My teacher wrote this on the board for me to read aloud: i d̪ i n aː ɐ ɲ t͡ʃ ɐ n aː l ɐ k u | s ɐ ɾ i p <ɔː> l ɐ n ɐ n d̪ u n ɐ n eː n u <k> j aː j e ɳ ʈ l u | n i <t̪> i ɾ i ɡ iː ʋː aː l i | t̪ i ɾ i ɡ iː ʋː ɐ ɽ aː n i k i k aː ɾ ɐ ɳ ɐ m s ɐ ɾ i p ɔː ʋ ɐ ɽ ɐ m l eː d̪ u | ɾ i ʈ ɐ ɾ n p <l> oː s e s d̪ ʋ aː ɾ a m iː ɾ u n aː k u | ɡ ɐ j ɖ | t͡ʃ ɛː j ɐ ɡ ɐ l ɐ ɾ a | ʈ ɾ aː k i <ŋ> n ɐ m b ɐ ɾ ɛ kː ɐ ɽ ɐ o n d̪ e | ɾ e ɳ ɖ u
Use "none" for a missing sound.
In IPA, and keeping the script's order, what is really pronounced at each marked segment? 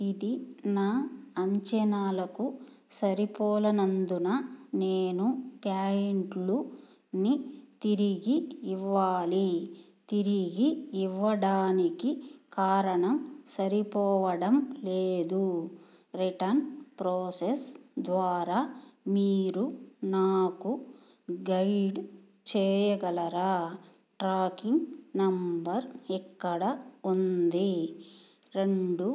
ɔː, p, t̪, ɾ, ŋ

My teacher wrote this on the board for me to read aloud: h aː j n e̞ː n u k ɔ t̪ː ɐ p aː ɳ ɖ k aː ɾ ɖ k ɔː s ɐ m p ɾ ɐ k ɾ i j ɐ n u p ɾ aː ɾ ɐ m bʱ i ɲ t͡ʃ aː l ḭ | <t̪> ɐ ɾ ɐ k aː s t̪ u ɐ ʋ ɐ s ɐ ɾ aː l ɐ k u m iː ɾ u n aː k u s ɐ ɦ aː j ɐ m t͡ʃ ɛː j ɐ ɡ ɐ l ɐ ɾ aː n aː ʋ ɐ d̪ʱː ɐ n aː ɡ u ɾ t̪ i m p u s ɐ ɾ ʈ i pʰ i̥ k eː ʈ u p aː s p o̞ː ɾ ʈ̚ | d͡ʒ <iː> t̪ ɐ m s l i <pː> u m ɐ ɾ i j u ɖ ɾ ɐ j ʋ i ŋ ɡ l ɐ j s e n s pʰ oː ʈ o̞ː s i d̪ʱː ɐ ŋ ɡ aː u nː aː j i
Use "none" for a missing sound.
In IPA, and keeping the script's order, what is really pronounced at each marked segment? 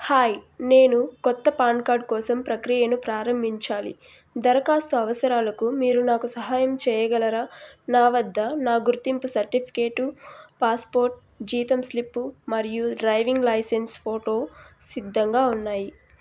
d̪, iː, pː

